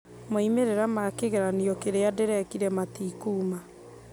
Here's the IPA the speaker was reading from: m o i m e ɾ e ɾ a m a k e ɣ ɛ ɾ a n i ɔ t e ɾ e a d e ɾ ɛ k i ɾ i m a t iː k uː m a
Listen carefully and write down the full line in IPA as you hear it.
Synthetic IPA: m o i m e ɾ e ɾ a m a k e ɣ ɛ ɾ a n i ɔ k e ɾ e a d e ɾ ɛ k i ɾ ɛ m a t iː k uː m a